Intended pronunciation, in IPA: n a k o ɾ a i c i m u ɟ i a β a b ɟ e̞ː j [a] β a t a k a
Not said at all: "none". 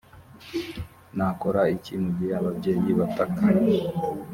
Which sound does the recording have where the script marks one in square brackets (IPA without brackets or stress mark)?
i